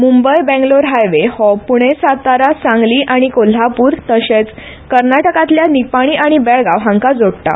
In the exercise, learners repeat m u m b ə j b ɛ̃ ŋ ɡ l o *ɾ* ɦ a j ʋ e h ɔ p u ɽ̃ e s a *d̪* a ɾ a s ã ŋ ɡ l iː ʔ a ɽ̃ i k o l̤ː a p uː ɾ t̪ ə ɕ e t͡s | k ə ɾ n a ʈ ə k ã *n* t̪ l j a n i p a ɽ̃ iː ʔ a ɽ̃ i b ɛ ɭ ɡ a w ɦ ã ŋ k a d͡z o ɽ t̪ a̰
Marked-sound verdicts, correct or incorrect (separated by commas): correct, incorrect, incorrect